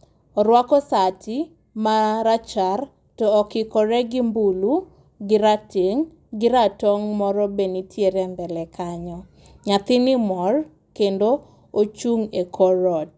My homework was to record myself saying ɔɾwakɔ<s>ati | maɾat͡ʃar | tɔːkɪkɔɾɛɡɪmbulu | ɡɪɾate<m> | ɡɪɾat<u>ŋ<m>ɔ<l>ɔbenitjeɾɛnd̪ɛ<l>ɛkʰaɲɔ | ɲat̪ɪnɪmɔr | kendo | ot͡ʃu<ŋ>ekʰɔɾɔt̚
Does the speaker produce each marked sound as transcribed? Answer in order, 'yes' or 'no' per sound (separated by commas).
yes, no, no, yes, no, yes, yes